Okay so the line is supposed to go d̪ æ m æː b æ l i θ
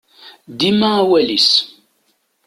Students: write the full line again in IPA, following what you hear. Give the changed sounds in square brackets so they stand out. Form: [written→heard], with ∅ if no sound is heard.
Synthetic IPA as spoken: d̪ [æ→i] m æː [b→w] æ l i [θ→s]